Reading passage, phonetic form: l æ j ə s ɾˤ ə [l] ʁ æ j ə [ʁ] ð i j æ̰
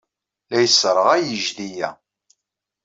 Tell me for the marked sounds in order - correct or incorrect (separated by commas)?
incorrect, incorrect